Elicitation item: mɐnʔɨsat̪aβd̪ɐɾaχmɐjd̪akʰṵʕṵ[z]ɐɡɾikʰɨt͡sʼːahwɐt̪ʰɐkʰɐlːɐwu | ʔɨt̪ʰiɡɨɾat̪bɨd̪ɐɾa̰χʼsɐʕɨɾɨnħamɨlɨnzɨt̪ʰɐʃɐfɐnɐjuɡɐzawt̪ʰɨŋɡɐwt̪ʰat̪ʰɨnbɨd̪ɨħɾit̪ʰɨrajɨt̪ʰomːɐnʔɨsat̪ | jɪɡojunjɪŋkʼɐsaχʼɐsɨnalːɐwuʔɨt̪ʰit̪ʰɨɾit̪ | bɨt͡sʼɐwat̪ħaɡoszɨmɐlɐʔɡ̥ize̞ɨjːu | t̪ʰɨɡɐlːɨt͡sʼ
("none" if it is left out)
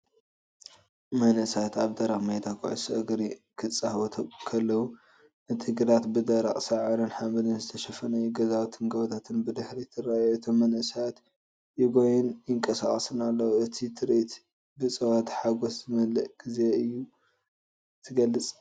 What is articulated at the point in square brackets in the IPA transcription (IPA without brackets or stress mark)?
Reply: s